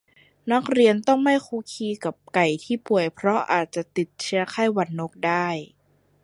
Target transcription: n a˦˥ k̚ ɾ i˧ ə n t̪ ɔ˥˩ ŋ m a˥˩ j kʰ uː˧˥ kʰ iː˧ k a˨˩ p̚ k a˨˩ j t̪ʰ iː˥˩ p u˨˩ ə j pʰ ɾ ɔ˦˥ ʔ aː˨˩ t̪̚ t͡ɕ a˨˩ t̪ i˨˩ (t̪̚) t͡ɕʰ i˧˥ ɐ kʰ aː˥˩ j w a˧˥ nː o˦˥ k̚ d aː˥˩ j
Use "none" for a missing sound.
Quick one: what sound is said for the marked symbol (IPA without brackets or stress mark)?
t̪̚